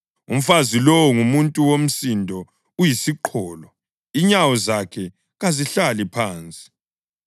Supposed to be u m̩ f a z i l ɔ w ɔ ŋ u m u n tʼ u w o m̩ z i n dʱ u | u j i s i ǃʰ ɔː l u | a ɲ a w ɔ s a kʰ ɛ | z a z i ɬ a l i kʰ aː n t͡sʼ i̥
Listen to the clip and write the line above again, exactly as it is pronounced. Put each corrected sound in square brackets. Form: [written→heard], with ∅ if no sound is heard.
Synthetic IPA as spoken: u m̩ f a z i l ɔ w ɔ ŋ u m u n tʼ u w o m̩ [z→s] i n dʱ [u→ɔ] | u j i s i ǃʰ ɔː l [u→ɔ] | [a→i] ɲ a w ɔ [s→z] a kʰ ɛ | [z→ɣ] a z i ɬ a l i [kʰ→pʰ] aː n t͡sʼ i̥